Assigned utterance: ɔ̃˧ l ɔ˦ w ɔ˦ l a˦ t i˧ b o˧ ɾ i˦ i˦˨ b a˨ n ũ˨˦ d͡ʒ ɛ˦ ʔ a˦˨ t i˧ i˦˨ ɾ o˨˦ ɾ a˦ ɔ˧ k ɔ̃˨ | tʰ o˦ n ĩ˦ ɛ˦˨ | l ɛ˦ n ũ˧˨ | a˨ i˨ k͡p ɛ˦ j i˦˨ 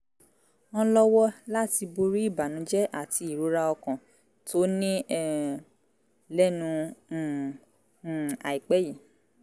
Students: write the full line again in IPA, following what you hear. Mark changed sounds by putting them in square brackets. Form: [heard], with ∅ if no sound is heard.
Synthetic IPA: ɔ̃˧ l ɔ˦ w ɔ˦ l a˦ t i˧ b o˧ ɾ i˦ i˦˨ b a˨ n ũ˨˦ d͡ʒ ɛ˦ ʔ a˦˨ t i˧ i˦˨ ɾ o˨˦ ɾ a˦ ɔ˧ k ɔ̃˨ | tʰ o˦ n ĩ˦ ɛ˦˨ | l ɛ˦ n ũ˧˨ | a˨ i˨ k͡p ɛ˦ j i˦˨